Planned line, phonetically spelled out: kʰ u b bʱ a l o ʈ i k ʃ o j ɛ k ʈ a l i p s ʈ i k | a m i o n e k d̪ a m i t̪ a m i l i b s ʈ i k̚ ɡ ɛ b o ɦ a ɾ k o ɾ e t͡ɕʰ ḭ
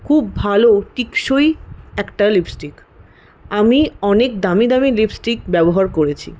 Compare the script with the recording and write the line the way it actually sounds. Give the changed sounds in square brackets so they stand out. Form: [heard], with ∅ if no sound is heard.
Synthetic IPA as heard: kʰ u b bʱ a l o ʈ i k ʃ o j ɛ k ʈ a l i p s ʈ i k | a m i [ɔ] n e k d̪ a m i [d̪] a m i l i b s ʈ i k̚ [b] ɛ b o ɦ a ɾ k o ɾ e t͡ɕʰ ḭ